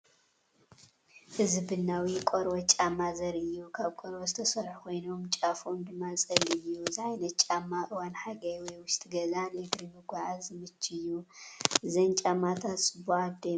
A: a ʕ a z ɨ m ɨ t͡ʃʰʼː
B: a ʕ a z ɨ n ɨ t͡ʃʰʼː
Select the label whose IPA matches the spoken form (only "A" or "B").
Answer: A